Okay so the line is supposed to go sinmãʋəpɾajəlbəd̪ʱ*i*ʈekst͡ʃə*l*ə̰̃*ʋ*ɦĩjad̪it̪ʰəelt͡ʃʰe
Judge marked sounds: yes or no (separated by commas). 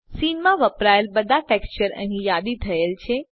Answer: no, no, no